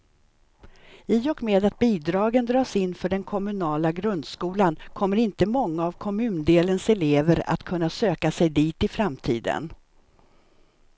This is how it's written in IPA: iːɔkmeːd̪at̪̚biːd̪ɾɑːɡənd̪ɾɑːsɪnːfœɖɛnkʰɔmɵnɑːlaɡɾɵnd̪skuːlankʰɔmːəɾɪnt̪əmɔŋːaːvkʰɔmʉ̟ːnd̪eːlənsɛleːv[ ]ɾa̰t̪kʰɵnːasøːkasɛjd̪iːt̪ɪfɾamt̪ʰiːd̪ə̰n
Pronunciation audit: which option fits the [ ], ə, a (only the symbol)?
ə